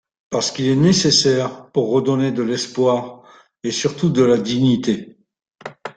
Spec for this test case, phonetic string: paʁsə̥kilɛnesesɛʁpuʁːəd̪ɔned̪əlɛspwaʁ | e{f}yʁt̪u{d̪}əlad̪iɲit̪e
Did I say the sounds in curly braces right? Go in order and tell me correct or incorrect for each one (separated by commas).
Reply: incorrect, correct